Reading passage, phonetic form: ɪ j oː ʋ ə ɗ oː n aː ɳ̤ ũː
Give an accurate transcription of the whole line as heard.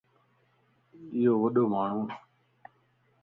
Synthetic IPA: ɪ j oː ʋ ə ɗ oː m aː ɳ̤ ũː

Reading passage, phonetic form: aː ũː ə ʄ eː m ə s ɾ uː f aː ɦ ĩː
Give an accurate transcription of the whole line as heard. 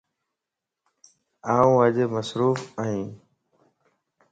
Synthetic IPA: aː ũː ə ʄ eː m ə s ɾ uː f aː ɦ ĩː

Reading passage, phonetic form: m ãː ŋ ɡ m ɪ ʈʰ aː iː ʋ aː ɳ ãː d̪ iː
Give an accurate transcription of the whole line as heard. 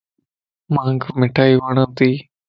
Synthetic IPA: m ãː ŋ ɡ m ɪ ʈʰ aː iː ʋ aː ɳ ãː t̪ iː

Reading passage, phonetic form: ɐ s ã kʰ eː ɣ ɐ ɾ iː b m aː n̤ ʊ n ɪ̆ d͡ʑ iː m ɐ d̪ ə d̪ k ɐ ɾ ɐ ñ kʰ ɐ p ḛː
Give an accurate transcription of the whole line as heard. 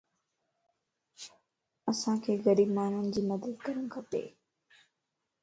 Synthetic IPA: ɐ s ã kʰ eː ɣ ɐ ɾ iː b m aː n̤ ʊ n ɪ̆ d͡ʑ iː m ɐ d̪ ə d̪ k ɐ ɾ ə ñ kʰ ɐ p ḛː

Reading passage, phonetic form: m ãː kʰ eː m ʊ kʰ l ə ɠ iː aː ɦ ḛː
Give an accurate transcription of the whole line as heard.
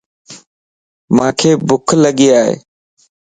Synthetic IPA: m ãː kʰ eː b ʊ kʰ l ə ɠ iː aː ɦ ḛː

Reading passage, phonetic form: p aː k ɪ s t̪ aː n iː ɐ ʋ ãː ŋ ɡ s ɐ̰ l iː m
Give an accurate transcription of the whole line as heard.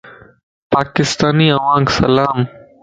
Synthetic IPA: p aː k ɪ s t̪ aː n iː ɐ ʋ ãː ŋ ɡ s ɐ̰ l aː m

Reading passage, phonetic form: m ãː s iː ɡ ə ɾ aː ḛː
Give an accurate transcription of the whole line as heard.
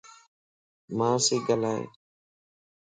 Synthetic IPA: m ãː s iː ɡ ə l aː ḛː

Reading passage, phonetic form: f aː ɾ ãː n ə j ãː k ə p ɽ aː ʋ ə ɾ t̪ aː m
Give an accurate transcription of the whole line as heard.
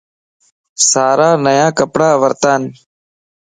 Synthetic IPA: s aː ɾ aː n ə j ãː k ə p ɽ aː ʋ ə ɾ t̪ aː n

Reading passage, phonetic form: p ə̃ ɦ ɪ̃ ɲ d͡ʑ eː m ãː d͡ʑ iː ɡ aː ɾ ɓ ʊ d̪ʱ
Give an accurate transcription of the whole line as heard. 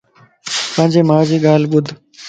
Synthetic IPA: p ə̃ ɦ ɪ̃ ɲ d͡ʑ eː m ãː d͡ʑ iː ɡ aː l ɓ ʊ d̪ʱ

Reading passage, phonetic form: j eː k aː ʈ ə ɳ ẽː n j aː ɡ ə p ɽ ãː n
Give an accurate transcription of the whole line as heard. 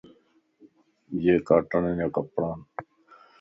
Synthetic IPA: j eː k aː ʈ ə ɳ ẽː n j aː k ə p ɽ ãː n

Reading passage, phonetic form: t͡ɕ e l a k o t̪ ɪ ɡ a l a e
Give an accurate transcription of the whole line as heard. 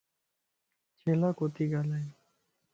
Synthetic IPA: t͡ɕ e l a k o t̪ i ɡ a l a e

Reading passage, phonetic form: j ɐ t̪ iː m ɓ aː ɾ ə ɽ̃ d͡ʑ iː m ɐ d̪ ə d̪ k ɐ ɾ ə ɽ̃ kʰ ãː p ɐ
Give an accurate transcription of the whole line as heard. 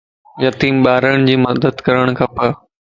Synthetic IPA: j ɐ t̪ iː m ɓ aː ɾ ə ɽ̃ d͡ʑ iː m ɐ d̪ ə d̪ k ɐ ɾ ə ɽ̃ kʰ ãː p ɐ

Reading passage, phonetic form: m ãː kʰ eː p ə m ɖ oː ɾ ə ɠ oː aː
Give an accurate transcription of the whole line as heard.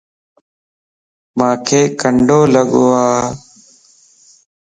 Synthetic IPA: m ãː kʰ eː k ə ɳ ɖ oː l ə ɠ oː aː

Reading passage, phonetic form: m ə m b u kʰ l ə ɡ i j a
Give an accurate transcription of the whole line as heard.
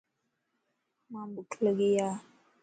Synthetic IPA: m a m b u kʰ l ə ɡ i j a

